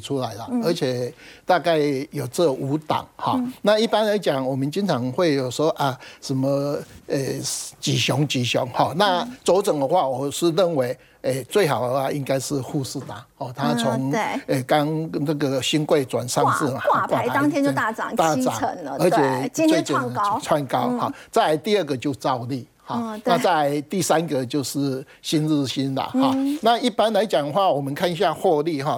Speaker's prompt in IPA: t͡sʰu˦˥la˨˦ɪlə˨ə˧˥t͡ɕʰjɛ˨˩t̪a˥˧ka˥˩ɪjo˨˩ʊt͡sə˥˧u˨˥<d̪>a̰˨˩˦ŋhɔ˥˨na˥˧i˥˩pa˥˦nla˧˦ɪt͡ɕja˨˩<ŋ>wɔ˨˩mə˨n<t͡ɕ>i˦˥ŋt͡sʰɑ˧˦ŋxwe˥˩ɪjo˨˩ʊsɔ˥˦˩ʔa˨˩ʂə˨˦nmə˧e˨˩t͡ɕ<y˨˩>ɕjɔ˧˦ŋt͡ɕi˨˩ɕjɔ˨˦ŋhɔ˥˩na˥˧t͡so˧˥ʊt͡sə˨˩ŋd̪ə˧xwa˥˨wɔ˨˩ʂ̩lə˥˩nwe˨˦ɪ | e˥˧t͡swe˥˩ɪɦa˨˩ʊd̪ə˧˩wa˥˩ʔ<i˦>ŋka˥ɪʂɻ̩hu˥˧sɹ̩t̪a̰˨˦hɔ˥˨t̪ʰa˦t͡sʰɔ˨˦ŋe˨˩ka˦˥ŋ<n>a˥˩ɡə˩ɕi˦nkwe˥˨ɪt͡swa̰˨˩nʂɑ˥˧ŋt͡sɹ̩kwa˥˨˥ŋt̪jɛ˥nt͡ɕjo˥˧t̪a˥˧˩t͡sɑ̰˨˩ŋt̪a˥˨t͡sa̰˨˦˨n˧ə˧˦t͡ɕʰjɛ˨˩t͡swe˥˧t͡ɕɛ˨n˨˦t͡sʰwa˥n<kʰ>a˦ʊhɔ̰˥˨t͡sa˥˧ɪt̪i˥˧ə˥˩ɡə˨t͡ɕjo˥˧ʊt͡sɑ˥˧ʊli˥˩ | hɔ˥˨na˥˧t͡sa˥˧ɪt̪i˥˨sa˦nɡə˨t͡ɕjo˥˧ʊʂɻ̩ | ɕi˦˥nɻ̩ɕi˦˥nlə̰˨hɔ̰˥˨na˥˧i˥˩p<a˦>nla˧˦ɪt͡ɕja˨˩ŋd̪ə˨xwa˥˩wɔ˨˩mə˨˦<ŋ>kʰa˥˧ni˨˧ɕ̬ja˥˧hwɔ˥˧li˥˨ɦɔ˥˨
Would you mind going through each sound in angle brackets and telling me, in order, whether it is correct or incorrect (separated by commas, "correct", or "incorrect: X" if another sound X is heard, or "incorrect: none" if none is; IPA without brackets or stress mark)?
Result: incorrect: t̪, correct, correct, incorrect: i˨˩, correct, correct, incorrect: k, correct, incorrect: n